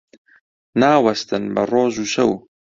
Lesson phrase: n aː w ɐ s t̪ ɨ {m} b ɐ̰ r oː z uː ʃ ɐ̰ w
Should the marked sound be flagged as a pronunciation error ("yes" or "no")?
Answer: yes